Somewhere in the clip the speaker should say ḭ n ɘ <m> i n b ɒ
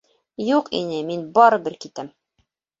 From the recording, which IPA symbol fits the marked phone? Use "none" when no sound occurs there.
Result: m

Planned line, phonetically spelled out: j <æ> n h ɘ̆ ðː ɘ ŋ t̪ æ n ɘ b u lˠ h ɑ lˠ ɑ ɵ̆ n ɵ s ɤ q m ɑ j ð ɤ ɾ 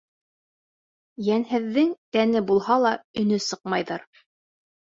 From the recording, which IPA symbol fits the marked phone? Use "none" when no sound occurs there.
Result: æ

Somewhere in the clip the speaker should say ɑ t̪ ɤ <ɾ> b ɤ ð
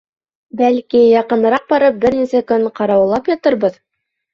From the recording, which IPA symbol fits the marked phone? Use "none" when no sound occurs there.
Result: ɾ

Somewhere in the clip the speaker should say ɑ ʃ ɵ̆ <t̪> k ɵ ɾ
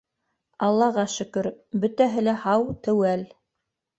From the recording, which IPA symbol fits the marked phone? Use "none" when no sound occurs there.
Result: none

